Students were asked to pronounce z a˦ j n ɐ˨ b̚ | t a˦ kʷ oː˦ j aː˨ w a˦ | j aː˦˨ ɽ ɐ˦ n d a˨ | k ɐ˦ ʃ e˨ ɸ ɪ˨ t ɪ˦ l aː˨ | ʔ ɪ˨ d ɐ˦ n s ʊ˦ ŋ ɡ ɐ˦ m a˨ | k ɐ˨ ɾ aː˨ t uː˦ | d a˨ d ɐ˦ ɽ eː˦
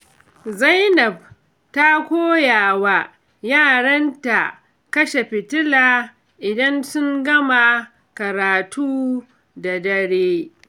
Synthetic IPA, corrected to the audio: z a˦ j n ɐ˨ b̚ | t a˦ kʷ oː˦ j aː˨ w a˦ | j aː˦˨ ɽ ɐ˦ n t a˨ | k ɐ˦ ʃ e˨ ɸ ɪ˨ t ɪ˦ l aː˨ | ʔ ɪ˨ d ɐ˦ n s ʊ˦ ŋ ɡ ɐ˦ m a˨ | k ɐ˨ ɾ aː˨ t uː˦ | d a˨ d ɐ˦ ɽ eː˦

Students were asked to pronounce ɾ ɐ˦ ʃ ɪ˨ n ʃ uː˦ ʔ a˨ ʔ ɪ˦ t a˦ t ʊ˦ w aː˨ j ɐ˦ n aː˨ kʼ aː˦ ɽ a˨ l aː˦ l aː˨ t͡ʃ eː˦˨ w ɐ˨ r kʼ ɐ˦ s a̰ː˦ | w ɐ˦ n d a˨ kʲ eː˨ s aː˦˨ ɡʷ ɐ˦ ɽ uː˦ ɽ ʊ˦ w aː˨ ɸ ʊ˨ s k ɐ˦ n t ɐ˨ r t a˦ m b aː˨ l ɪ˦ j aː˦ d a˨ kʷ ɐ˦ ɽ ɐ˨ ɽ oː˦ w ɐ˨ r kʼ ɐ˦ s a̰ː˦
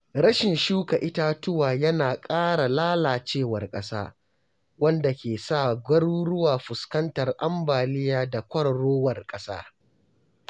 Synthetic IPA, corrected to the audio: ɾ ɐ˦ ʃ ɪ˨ n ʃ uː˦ k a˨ ʔ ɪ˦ t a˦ t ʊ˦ w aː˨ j ɐ˦ n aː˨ kʼ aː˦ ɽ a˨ l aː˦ l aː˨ t͡ʃ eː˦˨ w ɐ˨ r kʼ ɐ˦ s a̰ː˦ | w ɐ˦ n d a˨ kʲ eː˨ s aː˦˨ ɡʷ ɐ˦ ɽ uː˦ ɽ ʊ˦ w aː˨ ɸ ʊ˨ s k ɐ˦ n t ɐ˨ r ʔ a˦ m b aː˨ l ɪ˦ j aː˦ d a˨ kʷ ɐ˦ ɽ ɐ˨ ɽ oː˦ w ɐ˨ r kʼ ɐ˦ s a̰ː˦

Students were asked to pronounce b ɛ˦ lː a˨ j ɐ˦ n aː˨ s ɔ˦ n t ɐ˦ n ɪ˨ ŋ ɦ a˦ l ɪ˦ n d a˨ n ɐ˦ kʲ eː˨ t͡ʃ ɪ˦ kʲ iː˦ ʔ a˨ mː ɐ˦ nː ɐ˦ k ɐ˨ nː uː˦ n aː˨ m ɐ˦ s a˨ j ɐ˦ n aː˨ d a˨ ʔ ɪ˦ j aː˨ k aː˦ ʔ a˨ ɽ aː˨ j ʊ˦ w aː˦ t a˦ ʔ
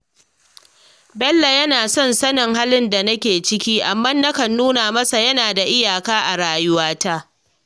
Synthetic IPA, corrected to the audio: b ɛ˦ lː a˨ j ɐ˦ n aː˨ s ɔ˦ n s ɐ˦ n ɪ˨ ŋ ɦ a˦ l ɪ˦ n d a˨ n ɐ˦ kʲ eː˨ t͡ʃ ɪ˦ kʲ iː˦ ʔ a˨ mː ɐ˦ nː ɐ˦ k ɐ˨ nː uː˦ n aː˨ m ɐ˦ s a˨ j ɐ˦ n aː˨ d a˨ ʔ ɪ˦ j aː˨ k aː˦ ʔ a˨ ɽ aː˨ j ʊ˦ w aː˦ t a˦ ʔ

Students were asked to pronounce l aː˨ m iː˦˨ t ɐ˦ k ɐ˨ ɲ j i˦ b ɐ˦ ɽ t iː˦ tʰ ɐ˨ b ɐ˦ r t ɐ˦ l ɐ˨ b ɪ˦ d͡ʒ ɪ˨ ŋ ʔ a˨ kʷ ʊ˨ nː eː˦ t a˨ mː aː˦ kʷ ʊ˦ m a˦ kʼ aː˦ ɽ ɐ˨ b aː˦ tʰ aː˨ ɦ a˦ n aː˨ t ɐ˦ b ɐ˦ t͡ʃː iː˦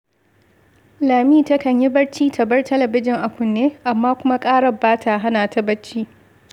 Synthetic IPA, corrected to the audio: l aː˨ m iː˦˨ t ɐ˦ k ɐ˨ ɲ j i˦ b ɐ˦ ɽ t͡ʃ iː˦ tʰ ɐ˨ b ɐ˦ r t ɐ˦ l ɐ˨ b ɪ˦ d͡ʒ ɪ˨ ŋ ʔ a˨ kʷ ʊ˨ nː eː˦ ʔ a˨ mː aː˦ kʷ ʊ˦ m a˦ kʼ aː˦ ɽ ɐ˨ b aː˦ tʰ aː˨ ɦ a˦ n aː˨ t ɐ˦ b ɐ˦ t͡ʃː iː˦

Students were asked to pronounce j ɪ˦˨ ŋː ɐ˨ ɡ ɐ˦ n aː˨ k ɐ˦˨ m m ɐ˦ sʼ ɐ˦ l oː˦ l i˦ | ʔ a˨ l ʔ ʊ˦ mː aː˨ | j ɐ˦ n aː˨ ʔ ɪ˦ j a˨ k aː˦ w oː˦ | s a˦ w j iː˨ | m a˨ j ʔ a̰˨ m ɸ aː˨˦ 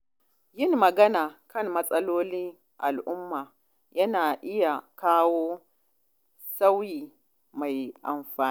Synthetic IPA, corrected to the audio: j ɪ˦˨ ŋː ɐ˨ ɡ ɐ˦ n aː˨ k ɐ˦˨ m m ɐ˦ sʼ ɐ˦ l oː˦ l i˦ | ʔ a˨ l ʔ ʊ˦ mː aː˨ | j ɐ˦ n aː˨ ʔ ɪ˦ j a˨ k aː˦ w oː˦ | s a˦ w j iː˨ | m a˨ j ʔ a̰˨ m ɸ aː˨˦

